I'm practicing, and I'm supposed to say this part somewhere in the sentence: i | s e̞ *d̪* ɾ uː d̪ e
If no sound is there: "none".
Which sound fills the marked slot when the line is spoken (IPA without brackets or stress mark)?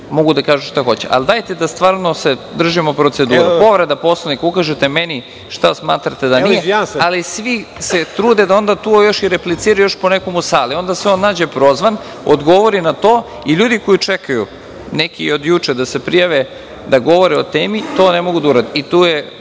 t̪